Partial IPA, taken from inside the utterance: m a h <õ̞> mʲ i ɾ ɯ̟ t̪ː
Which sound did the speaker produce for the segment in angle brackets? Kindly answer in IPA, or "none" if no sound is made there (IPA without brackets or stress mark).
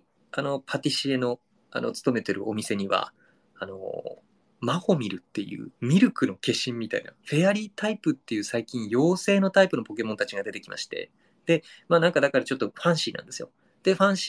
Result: o̞